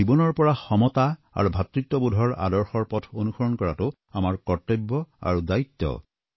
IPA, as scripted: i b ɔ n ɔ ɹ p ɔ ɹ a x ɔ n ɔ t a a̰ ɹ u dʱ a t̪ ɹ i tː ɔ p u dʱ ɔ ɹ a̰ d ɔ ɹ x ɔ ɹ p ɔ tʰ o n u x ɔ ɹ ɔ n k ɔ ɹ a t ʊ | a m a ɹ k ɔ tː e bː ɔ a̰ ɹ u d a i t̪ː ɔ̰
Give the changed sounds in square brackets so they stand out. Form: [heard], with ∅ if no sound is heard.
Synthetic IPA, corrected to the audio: i b ɔ n ɔ ɹ p ɔ ɹ a x ɔ [m] ɔ t a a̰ ɹ u [bʱ] a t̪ ɹ i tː ɔ [b] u dʱ ɔ ɹ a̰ d ɔ ɹ x ɔ ɹ p ɔ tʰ o n u x ɔ ɹ ɔ n k ɔ ɹ a t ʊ | a m a ɹ k ɔ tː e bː ɔ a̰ ɹ u d a i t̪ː ɔ̰